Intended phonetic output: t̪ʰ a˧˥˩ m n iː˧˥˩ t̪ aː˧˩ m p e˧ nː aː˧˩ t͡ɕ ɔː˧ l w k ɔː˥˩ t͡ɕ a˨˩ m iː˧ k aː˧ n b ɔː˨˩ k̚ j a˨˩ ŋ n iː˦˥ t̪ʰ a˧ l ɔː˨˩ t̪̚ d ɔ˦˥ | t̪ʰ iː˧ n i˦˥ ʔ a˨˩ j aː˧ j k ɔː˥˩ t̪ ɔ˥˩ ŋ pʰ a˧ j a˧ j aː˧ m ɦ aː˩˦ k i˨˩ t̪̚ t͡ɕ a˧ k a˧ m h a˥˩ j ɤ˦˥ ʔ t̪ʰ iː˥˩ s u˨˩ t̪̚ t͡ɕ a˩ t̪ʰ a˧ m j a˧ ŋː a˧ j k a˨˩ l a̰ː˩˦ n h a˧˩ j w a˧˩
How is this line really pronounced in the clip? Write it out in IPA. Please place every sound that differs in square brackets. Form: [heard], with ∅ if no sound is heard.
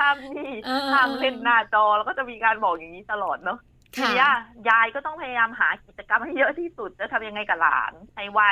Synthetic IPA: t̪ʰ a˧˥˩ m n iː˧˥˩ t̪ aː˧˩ m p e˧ nː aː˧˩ t͡ɕ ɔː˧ l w k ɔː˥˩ t͡ɕ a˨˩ m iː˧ k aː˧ n b ɔː˨˩ k̚ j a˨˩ ŋ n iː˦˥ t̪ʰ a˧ l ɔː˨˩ t̪̚ [n] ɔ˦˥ | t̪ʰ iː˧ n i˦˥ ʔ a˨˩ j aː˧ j k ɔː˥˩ t̪ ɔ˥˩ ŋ pʰ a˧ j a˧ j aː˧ m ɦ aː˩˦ k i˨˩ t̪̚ t͡ɕ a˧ k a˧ m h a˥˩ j ɤ˦˥ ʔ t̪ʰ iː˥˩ s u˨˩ t̪̚ t͡ɕ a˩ t̪ʰ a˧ m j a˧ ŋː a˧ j k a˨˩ l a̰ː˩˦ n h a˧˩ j w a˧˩